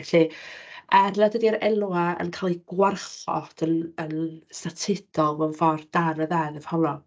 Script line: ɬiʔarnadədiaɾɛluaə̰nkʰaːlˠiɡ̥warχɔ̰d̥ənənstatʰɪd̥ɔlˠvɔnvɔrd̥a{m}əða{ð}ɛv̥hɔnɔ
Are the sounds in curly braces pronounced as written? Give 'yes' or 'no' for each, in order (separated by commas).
no, yes